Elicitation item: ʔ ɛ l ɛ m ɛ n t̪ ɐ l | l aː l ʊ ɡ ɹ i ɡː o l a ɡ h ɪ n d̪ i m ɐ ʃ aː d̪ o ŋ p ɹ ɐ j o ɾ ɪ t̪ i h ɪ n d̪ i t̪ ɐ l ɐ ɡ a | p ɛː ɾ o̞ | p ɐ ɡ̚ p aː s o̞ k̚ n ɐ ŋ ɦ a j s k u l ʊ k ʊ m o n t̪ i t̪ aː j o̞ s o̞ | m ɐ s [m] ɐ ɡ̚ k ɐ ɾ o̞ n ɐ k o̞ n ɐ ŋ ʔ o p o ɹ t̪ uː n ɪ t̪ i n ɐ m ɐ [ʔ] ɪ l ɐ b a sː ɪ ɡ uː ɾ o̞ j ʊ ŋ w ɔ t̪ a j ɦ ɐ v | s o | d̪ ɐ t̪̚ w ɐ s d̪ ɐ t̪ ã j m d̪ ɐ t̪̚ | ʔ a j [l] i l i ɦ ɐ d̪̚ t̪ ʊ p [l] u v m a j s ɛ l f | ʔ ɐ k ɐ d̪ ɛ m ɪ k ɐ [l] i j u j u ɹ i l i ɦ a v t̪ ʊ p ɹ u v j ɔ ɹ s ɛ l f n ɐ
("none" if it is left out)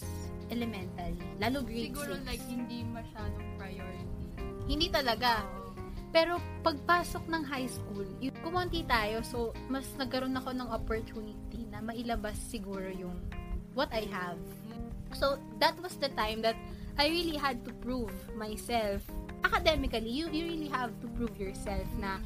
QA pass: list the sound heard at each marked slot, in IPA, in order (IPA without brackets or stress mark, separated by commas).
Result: n, ʔ, ɹ, ɹ, l